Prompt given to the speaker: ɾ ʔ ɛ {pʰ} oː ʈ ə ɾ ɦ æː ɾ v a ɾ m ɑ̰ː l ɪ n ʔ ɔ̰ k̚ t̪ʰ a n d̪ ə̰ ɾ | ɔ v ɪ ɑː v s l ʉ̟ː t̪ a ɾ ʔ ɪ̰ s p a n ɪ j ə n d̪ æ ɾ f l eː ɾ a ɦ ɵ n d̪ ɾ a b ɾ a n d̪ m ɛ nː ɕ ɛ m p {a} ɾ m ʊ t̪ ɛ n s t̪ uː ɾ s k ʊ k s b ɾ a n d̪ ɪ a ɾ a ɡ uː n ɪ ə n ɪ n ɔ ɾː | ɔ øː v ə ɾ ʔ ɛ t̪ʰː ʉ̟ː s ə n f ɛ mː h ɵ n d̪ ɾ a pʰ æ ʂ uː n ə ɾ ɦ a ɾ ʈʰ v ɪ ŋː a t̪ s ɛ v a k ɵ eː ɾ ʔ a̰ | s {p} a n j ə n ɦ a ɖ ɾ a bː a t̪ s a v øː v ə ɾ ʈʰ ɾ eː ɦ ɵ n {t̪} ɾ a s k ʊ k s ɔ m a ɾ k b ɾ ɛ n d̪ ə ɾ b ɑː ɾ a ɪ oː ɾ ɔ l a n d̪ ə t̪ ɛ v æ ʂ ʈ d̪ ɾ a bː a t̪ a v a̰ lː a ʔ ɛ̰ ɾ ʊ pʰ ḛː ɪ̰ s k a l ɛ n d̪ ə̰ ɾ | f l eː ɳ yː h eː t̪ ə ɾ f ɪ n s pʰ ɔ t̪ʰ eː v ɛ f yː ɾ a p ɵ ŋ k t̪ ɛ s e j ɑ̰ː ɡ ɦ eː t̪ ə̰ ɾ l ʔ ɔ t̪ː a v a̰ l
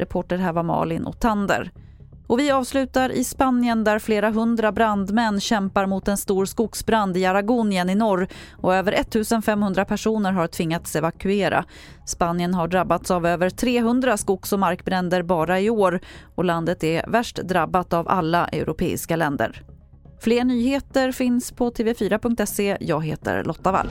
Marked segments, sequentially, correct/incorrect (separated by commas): correct, correct, correct, incorrect